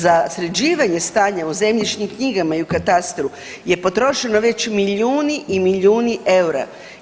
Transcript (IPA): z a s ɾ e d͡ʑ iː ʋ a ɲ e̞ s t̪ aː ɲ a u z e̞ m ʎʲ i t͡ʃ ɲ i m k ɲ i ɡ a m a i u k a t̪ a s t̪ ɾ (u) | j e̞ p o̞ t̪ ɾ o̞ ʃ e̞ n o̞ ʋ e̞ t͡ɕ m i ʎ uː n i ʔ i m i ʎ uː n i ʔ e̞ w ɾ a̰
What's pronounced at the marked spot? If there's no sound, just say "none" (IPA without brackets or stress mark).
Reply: u